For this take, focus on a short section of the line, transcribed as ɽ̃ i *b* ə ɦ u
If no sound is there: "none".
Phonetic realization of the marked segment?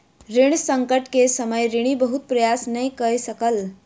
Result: b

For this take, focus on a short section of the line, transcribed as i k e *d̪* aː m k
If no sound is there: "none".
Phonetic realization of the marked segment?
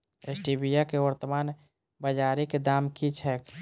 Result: d̪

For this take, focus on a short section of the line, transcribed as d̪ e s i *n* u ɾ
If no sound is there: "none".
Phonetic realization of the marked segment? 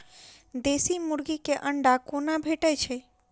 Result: m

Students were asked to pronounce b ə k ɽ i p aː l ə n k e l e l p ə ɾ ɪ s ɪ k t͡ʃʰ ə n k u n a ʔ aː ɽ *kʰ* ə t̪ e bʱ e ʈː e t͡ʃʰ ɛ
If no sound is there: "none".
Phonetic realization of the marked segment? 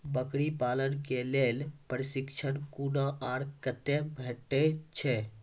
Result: k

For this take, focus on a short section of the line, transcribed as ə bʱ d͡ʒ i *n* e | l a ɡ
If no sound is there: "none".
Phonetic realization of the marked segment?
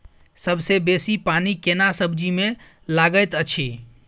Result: m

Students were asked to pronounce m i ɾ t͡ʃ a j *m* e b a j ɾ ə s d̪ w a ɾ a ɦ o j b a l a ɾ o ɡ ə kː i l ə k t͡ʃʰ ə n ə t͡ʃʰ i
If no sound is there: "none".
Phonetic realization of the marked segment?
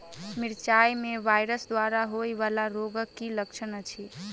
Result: m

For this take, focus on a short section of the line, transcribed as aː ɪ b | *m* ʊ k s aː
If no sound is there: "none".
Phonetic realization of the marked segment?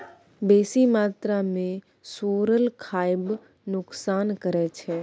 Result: n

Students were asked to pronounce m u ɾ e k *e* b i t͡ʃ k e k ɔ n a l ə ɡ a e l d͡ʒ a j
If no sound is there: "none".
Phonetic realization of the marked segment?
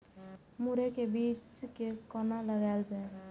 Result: e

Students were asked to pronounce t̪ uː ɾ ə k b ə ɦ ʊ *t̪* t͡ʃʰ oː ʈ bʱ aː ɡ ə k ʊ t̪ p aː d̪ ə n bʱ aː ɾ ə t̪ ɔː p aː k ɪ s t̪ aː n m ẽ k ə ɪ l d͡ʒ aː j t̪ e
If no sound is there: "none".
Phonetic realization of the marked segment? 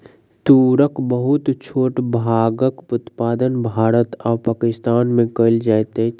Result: t̪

